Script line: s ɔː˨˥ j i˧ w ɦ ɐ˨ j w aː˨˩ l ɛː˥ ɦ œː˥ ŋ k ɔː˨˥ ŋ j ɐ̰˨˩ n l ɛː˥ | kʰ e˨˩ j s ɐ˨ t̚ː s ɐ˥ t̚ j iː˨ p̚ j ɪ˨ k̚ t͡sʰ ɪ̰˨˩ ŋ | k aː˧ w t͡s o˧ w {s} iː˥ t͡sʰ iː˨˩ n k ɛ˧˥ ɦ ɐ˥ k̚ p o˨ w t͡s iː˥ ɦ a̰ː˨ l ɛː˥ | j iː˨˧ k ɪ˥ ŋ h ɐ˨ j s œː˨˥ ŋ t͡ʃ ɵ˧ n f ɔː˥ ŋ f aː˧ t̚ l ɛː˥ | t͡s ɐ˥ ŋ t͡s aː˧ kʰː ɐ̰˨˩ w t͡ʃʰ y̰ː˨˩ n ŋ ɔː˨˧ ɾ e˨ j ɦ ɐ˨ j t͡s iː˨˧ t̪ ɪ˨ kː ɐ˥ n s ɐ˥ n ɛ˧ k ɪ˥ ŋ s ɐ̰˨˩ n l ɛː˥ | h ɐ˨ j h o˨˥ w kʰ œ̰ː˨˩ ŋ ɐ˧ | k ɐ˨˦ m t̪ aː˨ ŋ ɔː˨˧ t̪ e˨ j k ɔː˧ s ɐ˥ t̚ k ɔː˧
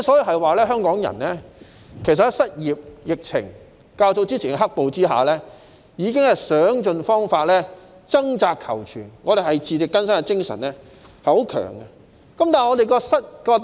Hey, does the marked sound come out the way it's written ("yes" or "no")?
no